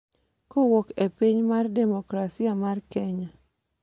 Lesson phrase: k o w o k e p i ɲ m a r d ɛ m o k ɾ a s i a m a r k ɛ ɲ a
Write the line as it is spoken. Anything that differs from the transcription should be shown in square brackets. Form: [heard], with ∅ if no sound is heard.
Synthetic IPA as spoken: k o w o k e p i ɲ m a r d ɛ m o k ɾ a s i a m a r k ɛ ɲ a

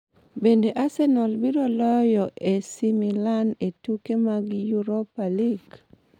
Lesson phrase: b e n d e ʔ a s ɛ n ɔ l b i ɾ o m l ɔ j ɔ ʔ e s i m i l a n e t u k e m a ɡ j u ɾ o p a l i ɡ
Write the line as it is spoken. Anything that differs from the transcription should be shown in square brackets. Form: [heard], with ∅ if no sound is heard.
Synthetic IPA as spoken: b e n d e ʔ a s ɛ n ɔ l b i ɾ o [∅] l ɔ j ɔ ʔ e s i m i l a n e t u k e m a ɡ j u ɾ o p a l i ɡ

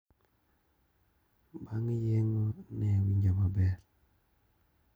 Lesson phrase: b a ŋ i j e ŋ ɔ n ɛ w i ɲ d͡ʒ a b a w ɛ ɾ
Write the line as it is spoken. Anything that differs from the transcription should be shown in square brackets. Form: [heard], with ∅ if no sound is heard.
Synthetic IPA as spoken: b a ŋ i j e ŋ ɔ n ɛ w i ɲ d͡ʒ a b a [b] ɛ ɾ

